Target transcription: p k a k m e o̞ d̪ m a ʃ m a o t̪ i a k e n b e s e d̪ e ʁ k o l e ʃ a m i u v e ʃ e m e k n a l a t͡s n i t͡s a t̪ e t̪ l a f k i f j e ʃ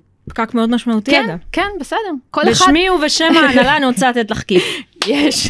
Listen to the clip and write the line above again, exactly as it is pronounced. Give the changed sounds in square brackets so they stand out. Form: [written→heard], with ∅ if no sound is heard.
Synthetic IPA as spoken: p k a k m e o̞ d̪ m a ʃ m a [o→u] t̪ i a k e n b e s e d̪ e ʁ k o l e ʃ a m i u v e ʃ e m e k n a l a [t͡s→∅] n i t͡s a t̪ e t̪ l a [f→χ] k i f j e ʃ